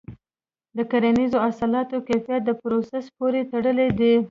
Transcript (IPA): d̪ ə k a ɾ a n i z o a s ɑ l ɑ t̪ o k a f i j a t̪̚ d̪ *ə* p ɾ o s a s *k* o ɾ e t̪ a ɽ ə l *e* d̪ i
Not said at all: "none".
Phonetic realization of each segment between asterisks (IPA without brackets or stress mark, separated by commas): ə, p, e